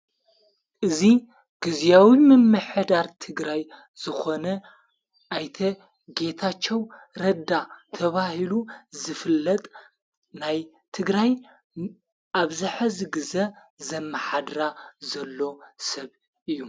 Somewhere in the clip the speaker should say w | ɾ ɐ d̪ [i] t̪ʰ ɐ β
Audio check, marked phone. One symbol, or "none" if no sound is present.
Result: a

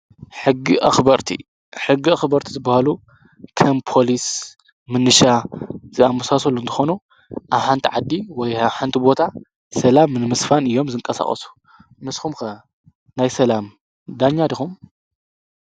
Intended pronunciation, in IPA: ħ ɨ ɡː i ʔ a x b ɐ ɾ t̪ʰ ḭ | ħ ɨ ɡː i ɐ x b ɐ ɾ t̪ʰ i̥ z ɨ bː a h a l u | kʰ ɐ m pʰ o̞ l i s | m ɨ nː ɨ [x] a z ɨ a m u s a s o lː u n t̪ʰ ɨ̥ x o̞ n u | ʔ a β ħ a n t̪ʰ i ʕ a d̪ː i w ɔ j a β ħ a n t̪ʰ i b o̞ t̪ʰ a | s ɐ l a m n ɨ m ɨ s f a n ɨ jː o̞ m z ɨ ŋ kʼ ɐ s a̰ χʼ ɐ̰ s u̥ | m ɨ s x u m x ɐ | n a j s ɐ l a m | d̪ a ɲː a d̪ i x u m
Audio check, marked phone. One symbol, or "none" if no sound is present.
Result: ʃ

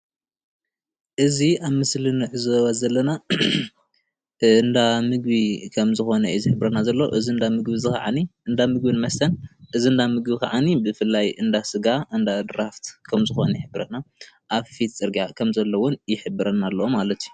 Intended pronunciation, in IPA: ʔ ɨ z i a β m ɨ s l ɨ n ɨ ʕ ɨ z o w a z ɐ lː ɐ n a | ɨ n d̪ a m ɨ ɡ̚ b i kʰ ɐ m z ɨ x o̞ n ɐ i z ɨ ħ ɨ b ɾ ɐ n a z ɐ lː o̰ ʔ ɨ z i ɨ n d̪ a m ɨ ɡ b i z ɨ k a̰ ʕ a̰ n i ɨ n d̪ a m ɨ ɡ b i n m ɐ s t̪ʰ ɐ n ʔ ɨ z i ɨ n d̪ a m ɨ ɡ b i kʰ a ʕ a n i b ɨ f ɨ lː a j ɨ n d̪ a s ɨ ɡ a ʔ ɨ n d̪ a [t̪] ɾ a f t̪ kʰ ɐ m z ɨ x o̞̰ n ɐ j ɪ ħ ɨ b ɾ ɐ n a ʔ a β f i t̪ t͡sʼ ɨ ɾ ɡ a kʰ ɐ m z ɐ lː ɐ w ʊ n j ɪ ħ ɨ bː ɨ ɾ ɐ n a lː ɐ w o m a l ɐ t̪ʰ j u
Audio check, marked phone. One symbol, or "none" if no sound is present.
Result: d̪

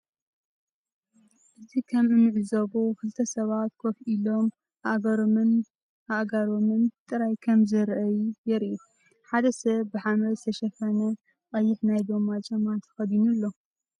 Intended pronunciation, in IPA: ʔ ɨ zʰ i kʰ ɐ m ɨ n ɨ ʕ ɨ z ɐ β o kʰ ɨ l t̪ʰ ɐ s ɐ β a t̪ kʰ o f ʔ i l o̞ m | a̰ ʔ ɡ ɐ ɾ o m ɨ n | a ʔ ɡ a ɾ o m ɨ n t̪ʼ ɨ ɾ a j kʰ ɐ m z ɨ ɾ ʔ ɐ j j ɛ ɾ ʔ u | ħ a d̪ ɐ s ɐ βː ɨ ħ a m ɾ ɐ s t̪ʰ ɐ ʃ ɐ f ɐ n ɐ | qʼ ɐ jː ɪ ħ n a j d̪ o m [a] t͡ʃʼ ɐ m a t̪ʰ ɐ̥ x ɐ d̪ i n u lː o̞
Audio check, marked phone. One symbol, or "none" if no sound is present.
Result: a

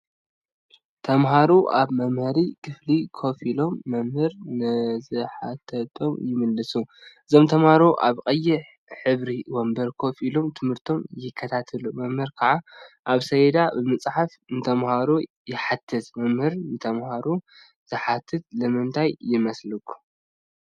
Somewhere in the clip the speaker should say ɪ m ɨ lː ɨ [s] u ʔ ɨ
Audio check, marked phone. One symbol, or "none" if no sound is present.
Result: s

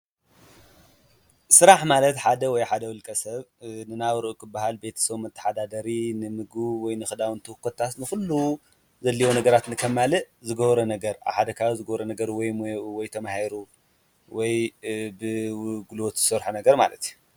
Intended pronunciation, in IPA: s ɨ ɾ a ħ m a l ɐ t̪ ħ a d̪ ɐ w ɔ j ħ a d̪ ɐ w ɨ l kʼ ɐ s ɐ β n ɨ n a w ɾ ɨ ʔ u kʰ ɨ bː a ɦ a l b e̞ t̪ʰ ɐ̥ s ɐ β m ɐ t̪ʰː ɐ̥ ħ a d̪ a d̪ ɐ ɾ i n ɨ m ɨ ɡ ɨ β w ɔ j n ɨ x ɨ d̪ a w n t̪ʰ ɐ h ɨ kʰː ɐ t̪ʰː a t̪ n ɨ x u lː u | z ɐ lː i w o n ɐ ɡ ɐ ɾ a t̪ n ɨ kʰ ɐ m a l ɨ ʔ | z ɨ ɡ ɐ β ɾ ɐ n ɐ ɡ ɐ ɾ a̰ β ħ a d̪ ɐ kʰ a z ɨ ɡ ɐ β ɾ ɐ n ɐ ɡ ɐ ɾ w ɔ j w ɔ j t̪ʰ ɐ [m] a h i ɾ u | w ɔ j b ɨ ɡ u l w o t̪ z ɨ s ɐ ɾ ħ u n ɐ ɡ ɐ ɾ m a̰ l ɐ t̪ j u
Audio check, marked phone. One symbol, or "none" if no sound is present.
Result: m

